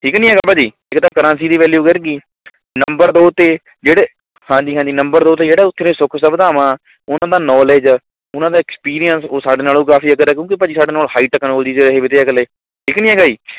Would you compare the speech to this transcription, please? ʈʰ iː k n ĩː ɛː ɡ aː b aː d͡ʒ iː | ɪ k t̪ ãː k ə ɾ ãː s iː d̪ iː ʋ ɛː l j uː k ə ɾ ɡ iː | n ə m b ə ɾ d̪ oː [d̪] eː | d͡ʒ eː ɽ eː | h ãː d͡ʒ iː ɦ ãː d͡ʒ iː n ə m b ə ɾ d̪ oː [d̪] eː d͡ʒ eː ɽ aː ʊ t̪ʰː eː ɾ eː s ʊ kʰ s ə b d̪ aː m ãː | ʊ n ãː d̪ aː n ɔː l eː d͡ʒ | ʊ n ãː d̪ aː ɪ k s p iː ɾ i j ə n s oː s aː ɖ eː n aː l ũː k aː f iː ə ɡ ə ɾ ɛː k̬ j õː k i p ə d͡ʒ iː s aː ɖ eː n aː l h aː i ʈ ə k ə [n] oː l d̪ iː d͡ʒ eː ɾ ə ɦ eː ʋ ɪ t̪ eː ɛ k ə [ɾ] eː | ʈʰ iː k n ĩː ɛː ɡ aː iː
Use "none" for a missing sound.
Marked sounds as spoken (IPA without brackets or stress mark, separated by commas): t̪, t̪, n, l